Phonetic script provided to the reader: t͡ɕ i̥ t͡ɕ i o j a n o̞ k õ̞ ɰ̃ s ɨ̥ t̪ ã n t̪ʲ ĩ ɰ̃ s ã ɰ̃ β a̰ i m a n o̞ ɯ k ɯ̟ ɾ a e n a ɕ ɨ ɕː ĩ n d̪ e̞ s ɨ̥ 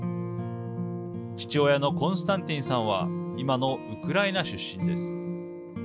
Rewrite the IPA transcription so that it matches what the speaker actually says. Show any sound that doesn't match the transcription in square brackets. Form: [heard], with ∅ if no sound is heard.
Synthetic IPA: t͡ɕ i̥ t͡ɕ i o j a n o̞ k õ̞ ɰ̃ s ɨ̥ t̪ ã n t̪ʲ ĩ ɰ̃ s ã ɰ̃ β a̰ i m a n o̞ ɯ k ɯ̟ ɾ a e n a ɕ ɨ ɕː ĩ n d̪ e̞ s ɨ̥